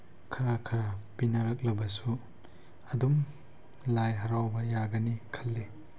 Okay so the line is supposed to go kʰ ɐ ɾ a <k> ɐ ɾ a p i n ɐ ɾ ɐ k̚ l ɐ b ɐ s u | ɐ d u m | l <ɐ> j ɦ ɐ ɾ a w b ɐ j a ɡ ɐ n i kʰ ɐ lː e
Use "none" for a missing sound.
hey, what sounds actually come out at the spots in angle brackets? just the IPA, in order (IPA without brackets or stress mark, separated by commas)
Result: kʰ, a